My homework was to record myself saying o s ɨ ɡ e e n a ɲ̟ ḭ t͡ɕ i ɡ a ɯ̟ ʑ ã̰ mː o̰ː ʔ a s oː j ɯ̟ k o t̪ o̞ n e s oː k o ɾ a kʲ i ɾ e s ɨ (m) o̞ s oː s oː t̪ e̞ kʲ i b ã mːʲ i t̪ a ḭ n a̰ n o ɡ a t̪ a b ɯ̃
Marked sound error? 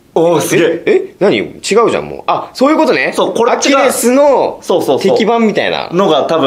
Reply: yes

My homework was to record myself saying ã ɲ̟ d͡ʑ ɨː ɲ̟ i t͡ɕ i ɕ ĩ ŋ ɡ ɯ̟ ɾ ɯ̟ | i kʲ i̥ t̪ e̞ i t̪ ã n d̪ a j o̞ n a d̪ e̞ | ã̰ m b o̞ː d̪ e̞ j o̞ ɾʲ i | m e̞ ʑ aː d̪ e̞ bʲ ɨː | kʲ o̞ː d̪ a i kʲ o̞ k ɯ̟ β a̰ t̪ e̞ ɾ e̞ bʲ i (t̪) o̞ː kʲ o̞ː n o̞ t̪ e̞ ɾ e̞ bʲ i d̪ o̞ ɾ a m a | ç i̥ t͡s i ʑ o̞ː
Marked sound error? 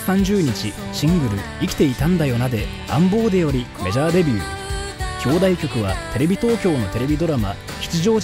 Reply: no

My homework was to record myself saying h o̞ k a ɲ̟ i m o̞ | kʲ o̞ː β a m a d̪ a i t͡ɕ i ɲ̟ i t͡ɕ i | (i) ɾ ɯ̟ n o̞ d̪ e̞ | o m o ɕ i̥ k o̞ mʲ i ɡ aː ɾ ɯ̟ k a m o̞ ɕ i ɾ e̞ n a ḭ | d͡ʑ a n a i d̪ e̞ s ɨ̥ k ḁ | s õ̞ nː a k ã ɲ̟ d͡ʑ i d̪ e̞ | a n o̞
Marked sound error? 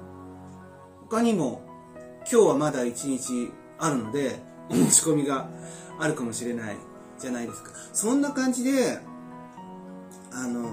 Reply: yes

